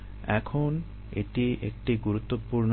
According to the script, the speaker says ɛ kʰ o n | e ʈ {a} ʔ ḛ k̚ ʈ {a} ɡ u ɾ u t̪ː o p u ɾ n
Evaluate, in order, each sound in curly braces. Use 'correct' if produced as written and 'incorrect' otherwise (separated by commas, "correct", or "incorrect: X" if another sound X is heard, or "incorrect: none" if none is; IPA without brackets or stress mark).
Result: incorrect: i, incorrect: i